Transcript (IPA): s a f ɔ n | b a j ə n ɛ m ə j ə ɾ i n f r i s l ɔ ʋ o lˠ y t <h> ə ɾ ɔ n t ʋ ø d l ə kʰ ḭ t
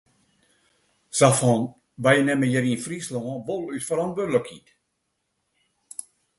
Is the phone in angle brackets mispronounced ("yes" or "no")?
yes